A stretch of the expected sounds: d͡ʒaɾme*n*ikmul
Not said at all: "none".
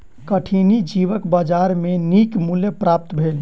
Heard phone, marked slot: n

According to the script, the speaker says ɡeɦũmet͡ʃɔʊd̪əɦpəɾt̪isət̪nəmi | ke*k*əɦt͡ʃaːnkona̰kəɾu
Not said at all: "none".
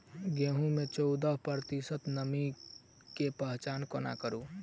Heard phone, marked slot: p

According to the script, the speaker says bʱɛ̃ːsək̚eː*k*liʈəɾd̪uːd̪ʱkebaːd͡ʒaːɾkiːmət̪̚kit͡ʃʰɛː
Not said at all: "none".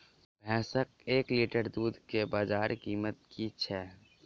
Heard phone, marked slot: k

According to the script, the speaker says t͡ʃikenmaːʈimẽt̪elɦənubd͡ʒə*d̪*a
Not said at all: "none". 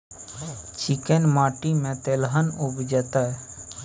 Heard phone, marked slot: t̪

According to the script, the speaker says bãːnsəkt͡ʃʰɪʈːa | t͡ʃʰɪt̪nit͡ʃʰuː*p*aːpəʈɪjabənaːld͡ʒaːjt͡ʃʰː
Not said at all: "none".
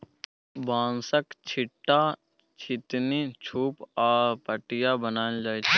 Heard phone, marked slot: p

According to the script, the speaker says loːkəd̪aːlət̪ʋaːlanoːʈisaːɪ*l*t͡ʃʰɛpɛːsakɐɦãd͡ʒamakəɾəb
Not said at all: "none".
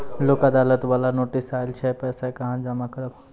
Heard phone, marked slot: l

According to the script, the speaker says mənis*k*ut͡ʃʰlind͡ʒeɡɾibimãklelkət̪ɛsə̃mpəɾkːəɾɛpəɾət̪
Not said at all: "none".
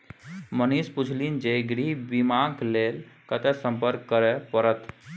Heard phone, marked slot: p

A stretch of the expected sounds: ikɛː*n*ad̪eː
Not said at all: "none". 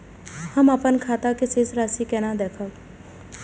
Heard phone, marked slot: n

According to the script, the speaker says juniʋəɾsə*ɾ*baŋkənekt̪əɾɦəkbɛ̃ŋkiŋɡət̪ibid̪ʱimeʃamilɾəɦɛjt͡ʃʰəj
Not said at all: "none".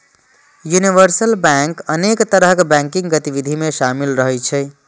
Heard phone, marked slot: l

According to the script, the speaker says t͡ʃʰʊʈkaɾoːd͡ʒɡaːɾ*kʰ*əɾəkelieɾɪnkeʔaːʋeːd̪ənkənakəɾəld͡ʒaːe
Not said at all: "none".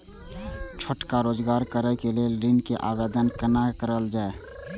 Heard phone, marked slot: k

